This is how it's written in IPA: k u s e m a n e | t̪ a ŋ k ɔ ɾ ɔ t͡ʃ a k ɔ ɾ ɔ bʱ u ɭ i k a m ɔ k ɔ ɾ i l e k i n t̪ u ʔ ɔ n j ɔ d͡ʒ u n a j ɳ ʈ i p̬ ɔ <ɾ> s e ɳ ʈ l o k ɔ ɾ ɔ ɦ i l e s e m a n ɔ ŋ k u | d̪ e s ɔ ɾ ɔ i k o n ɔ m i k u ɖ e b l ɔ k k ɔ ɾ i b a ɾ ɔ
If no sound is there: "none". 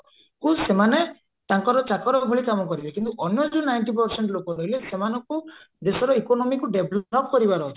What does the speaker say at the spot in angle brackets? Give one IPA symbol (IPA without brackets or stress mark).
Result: ɾ